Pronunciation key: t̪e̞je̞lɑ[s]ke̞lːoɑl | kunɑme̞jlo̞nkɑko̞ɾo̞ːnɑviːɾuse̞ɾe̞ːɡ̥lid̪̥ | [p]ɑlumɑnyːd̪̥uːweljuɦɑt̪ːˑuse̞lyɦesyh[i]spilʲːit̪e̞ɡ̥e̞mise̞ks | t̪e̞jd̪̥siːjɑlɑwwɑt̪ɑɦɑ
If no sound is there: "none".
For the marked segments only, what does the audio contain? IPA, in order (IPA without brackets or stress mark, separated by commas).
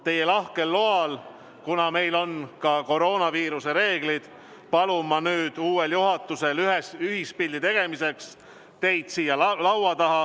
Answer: h, p, i